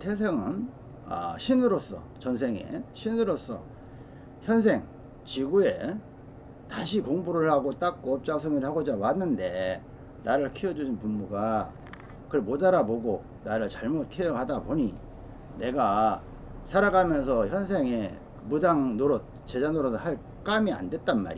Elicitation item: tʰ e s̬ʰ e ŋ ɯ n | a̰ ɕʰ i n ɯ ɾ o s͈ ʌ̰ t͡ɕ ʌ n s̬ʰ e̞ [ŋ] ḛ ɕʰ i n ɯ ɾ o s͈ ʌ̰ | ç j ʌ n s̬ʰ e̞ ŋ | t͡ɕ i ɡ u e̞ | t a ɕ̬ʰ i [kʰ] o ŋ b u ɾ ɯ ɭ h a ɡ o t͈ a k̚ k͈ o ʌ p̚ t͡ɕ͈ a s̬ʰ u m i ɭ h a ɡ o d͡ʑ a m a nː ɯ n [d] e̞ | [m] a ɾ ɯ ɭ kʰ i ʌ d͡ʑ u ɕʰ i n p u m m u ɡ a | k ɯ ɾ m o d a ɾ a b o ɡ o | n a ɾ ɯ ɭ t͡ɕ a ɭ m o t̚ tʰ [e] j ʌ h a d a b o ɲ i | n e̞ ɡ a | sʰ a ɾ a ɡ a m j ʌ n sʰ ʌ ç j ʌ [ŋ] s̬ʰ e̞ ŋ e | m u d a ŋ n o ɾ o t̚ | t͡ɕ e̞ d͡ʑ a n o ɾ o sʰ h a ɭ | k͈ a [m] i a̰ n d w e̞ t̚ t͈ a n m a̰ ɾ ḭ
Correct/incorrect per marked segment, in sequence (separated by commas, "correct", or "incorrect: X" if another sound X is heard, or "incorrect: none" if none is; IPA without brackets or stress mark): correct, incorrect: k, correct, incorrect: n, correct, incorrect: n, correct